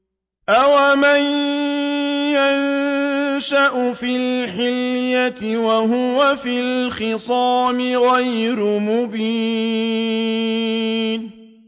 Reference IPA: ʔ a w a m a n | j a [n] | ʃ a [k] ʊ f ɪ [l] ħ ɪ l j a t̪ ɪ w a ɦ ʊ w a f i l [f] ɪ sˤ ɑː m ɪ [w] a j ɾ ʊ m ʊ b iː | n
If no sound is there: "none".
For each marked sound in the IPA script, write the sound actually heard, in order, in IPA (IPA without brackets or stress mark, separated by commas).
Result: n, ʔ, l, x, ɣ